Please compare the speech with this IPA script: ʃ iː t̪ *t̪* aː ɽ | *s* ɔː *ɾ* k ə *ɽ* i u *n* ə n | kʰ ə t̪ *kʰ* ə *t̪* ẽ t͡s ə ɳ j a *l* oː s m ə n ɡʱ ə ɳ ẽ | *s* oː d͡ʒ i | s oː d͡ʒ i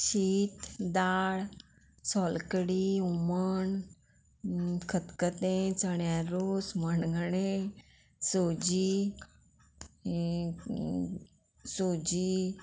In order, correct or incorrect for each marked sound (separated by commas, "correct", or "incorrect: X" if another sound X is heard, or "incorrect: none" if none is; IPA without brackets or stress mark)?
incorrect: d̪, correct, incorrect: l, correct, incorrect: m, incorrect: k, correct, incorrect: ɾ, correct